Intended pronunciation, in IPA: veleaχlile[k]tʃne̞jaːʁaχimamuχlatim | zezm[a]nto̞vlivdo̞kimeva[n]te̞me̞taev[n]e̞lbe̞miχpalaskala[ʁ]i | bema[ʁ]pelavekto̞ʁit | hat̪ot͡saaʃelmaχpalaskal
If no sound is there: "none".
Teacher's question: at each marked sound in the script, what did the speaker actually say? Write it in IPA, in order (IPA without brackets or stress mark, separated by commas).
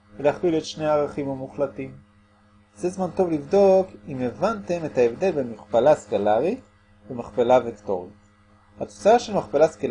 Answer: none, a, n, d, ʁ, χ